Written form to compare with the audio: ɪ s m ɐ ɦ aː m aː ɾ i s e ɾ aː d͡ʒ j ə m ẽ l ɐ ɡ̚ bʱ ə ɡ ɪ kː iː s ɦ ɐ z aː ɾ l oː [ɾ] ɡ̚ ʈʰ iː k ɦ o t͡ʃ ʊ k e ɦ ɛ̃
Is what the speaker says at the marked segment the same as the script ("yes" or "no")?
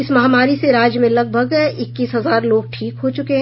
no